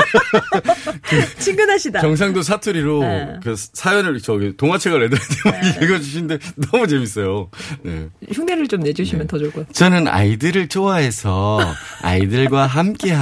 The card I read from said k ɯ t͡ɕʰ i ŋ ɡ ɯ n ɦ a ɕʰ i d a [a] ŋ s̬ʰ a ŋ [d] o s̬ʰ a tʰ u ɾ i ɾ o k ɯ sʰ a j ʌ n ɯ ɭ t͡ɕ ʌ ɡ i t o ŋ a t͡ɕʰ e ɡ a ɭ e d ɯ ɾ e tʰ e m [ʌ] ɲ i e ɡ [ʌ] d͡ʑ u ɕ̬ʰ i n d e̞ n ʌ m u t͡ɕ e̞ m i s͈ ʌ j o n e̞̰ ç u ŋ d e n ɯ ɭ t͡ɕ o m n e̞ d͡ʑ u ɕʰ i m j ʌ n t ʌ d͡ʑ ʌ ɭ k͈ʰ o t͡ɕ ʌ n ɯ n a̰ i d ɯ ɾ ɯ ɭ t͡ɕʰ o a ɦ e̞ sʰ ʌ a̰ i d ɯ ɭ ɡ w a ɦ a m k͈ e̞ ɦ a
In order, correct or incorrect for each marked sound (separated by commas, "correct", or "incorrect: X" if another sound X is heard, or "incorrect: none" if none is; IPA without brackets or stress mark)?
incorrect: ʌ, correct, incorrect: a, correct